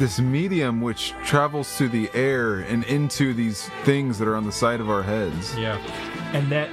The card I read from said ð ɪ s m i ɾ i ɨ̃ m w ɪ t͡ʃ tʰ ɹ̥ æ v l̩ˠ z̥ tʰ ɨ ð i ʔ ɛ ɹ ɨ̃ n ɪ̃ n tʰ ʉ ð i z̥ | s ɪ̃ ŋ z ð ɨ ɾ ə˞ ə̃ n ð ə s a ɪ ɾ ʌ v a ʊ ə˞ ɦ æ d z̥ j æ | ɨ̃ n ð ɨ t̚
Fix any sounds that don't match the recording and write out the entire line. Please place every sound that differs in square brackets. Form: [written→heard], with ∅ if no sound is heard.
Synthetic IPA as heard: ð ɪ s m i ɾ i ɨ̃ m w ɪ t͡ʃ tʰ ɹ̥ æ v l̩ˠ z̥ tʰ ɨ ð i ʔ ɛ ɹ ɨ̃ n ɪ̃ n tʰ ʉ ð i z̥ | [s→θ] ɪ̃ ŋ z ð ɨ ɾ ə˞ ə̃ n ð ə s a ɪ ɾ ʌ v a ʊ ə˞ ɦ [æ→ɛ] d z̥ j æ | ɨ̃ n ð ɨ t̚